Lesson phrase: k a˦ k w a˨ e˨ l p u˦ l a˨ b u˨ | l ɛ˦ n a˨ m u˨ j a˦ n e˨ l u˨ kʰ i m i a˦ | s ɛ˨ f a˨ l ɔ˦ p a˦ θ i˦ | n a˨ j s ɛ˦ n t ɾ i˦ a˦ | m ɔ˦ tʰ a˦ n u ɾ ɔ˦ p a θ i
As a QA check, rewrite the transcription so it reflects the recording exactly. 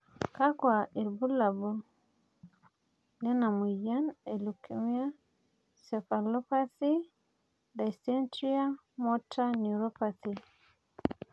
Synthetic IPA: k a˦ k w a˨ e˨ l b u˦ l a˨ b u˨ | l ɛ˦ n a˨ m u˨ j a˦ n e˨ l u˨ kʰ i m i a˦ | s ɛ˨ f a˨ l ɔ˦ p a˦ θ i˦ | d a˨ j s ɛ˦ n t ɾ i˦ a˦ | m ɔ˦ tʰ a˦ n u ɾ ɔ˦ p a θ i